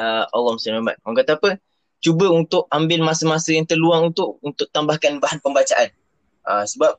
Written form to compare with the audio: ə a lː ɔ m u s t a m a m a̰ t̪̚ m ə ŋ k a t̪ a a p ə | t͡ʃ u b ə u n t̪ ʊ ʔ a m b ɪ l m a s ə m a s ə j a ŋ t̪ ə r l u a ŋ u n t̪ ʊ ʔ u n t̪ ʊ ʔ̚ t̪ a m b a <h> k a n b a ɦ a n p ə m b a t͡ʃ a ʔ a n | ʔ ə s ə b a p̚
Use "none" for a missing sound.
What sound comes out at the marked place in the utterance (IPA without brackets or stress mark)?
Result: h